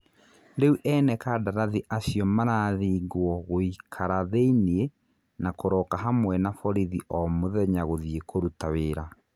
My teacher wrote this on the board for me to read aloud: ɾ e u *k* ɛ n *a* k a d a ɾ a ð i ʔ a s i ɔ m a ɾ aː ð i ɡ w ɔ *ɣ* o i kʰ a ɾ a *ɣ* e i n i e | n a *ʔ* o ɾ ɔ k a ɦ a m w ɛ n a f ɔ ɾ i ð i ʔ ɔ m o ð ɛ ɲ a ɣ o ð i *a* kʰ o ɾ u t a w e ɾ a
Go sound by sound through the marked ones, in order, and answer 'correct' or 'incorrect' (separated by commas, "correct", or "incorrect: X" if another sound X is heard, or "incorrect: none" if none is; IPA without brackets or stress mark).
incorrect: ʔ, incorrect: ɛ, correct, incorrect: ð, incorrect: k, incorrect: e